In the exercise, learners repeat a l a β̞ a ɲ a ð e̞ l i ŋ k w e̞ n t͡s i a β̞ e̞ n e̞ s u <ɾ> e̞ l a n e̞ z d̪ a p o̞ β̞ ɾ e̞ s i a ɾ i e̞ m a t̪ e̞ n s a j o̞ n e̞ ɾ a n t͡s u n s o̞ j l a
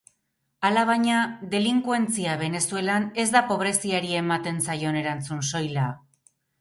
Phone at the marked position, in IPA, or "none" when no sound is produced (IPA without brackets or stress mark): none